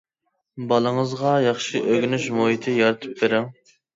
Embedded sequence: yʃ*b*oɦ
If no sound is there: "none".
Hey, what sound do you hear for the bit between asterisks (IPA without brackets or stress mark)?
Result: m